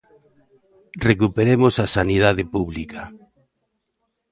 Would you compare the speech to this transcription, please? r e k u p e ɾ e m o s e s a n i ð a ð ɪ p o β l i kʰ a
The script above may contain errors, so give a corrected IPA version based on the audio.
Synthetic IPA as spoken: r e k u p e ɾ e m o s a s a n i ð a ð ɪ p u β l i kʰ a